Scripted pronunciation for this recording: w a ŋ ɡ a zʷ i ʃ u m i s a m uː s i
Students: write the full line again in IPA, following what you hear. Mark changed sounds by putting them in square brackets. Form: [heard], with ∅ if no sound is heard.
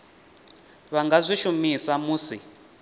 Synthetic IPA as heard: [β] a ŋ ɡ a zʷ i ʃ u m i s a m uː s i